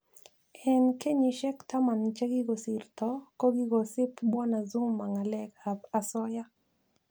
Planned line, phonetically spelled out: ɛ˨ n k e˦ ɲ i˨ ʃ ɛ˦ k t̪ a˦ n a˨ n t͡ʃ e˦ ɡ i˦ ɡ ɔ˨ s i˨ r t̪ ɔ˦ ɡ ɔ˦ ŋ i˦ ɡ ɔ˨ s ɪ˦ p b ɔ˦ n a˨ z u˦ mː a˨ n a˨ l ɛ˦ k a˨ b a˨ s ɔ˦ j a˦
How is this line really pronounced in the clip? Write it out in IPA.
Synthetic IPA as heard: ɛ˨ n k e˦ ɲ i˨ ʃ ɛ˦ k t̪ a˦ m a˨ n t͡ʃ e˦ ɡ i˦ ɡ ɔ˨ s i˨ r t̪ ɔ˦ k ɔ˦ ɡ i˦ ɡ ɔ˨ s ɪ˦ p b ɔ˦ n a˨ z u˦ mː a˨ ŋ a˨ l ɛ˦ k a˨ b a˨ s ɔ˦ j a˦